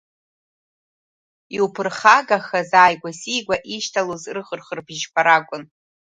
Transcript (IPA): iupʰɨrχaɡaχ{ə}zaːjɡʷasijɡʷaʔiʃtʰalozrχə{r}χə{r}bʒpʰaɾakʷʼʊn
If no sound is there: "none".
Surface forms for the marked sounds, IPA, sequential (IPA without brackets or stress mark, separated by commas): a, r, r